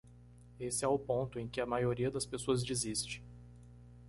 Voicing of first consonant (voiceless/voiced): voiceless